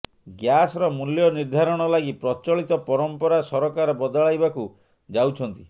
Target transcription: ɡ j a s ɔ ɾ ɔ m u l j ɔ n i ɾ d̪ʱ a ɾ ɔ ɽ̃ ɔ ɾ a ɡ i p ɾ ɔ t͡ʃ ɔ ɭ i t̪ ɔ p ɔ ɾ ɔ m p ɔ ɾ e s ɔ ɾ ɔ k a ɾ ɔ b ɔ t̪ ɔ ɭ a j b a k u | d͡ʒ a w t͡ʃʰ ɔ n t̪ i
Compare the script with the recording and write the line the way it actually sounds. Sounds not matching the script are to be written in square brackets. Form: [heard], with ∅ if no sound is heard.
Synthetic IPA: ɡ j a s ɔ ɾ ɔ m u l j ɔ n i ɾ d̪ʱ a ɾ ɔ ɽ̃ ɔ [l] a ɡ i p ɾ ɔ t͡ʃ ɔ ɭ i t̪ ɔ p ɔ ɾ ɔ m p ɔ ɾ [a] s ɔ ɾ ɔ k a ɾ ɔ b ɔ [d̪] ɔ ɭ a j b a k u | d͡ʒ a w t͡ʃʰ ɔ n t̪ i